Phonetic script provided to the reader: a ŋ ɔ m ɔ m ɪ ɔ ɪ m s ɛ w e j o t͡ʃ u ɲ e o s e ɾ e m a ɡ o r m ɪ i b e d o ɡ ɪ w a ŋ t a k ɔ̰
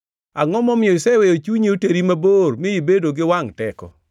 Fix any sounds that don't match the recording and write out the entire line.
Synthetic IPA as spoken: a ŋ ɔ m ɔ m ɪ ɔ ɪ s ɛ w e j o t͡ʃ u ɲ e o t e ɾ i m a b o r m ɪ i b e d o ɡ ɪ w a ŋ t ɛ k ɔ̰